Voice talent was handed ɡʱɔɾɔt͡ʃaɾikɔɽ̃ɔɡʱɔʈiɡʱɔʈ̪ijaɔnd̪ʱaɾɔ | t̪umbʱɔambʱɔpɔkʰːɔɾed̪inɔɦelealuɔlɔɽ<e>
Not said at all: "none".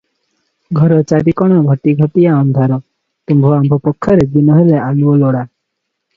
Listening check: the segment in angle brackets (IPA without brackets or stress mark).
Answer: a